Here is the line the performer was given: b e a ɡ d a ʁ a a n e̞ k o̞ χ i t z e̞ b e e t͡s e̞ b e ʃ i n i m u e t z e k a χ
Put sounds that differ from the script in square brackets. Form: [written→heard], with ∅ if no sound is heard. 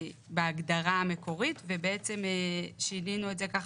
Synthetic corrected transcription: b e a ɡ d a ʁ a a [n→m] e̞ k o̞ [χ→ʁ] i t [z→v] e̞ b e e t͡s e̞ [b→m] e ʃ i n i [m→n] u e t z e k a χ